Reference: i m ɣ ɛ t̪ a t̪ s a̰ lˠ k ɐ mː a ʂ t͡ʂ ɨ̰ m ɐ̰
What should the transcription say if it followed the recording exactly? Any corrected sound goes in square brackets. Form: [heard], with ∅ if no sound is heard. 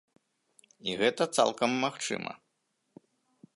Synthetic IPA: i [∅] ɣ ɛ t̪ [ɐ] t̪ s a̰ lˠ k ɐ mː a [x] t͡ʂ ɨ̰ m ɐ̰

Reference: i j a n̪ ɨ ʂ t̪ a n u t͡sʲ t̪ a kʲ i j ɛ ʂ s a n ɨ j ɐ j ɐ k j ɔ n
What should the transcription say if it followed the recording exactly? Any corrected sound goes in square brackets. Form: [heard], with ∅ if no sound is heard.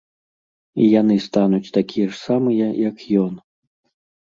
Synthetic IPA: i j a n̪ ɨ [s] t̪ a n u t͡sʲ t̪ a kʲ i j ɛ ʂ s a [m] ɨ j ɐ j ɐ k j ɔ n

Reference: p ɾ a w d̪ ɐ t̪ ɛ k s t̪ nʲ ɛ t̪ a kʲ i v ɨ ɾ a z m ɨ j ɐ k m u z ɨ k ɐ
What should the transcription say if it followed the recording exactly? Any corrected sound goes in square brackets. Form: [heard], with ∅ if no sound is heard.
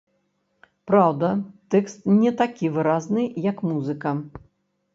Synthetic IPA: p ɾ a w d̪ ɐ t̪ ɛ k s t̪ nʲ ɛ t̪ a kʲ i v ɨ ɾ a z [n] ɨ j ɐ k m u z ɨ k ɐ

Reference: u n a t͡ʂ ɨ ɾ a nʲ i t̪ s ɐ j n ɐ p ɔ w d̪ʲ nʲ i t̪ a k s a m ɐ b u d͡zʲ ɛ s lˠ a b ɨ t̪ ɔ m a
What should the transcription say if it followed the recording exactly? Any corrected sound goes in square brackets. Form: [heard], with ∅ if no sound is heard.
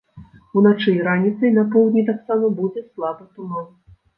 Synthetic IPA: u n a t͡ʂ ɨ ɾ a nʲ i t̪ s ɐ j n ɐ p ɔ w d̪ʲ nʲ i t̪ a k s a m ɐ b u d͡zʲ ɛ s lˠ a b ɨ t̪ [u] m a

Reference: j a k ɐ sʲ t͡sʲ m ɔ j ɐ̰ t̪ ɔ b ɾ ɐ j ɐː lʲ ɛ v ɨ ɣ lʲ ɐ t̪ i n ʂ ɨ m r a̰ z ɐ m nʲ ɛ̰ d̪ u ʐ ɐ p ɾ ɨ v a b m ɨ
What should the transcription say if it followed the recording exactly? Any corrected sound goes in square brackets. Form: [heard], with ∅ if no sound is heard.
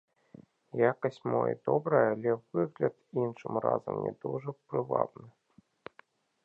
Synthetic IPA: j a k ɐ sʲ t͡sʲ m ɔ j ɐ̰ [d̪] ɔ b ɾ ɐ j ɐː lʲ ɛ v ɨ ɣ lʲ ɐ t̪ i n ʂ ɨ m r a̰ z ɐ m nʲ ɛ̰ d̪ u ʐ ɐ p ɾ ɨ v a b [n] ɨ

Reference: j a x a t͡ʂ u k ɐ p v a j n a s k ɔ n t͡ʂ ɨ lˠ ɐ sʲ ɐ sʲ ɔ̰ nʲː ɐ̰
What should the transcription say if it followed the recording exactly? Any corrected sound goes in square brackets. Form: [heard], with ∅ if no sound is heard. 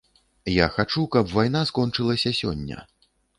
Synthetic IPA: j a x a t͡ʂ u k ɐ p v a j n a s k ɔ n t͡ʂ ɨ lˠ ɐ sʲ ɐ sʲ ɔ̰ nʲː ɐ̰

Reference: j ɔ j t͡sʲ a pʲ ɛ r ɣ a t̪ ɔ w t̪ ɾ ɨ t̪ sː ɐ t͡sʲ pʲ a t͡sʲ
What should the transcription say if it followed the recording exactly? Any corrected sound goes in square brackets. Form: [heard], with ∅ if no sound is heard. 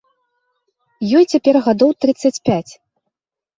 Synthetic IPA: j ɔ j t͡sʲ a pʲ ɛ r ɣ a [d̪] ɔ w t̪ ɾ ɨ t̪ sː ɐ t͡sʲ pʲ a t͡sʲ

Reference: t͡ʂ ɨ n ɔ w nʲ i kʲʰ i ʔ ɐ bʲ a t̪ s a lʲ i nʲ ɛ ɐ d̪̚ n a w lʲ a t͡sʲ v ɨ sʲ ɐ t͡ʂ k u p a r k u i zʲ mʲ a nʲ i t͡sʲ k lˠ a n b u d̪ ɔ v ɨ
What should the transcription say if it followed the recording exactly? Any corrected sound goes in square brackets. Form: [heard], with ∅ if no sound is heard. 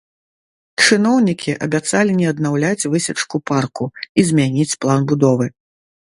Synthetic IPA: t͡ʂ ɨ n ɔ w nʲ i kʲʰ i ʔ ɐ bʲ a t̪ s a lʲ i nʲ ɛ ɐ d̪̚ n a w lʲ a t͡sʲ v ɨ sʲ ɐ t͡ʂ k u p a r k u i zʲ mʲ a nʲ i t͡sʲ [p] lˠ a n b u d̪ ɔ v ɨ

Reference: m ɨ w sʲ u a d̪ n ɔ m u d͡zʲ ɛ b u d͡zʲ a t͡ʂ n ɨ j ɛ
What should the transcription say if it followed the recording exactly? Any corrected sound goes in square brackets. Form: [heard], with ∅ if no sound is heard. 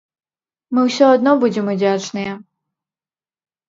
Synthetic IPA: m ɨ w sʲ [ɔ] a d̪ n ɔ [b] u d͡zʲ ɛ [m] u d͡zʲ a t͡ʂ n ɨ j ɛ

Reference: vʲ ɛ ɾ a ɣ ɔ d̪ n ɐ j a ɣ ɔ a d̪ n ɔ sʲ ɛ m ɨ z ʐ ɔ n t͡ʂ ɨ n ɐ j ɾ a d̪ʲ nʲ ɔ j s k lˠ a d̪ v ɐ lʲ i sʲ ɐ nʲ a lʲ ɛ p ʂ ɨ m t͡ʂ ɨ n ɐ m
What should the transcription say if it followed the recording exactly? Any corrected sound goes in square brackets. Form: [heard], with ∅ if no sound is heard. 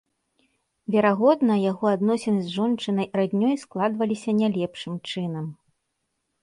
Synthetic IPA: vʲ ɛ ɾ a ɣ ɔ d̪ n ɐ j a ɣ ɔ a d̪ n ɔ sʲ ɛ [n] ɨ z ʐ ɔ n t͡ʂ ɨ n ɐ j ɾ a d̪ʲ nʲ ɔ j s k lˠ a d̪ v ɐ lʲ i sʲ ɐ nʲ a lʲ ɛ p ʂ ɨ m t͡ʂ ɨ n ɐ m

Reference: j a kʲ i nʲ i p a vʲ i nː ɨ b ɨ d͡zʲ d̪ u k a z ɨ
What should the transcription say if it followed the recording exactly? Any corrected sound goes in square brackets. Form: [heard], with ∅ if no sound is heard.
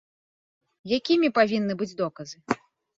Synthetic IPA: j a kʲ i [mʲ] i p a vʲ i nː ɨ b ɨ d͡zʲ d̪ [ɔ] k [ɐ] z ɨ

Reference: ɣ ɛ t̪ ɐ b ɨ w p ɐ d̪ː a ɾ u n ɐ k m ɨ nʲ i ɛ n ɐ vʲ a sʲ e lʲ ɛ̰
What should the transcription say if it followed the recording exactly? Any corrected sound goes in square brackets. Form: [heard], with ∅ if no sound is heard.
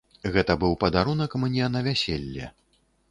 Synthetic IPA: ɣ ɛ t̪ ɐ b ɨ w p ɐ [d̪] a ɾ u n ɐ k m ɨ nʲ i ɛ n ɐ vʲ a sʲ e [lʲː] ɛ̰

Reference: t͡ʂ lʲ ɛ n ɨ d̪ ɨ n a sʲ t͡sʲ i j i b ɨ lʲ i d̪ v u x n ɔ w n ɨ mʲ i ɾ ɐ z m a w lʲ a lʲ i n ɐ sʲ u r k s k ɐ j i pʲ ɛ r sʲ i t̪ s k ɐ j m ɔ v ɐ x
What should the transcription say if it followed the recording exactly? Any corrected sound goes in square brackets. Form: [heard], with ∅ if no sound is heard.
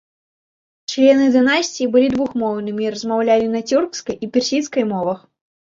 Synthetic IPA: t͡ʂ lʲ ɛ n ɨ d̪ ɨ n a sʲ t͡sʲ i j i b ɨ lʲ i d̪ v u x [m] ɔ w n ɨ mʲ i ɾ ɐ z m a w lʲ a lʲ i n ɐ [t͡sʲ] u r k s k ɐ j i pʲ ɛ r sʲ i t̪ s k ɐ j m ɔ v ɐ x

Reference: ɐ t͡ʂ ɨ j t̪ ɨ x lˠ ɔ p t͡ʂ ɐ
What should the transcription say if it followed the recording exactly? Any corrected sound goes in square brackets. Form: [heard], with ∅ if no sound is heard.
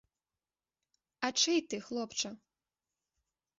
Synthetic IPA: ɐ t͡ʂ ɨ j t̪ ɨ x lˠ ɔ p t͡ʂ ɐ

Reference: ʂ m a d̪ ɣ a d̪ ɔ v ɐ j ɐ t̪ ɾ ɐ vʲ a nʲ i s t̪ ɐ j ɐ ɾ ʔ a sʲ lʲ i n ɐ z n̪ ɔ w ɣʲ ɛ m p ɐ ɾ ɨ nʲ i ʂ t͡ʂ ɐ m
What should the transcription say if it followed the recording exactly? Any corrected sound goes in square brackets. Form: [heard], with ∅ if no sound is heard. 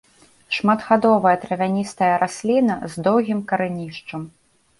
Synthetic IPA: ʂ m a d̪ ɣ a d̪ ɔ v ɐ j ɐ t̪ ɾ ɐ vʲ a nʲ i s t̪ ɐ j ɐ ɾ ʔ a sʲ lʲ i n ɐ z [d̪] ɔ w ɣʲ [i] m [k] ɐ ɾ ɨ nʲ i ʂ t͡ʂ ɐ m

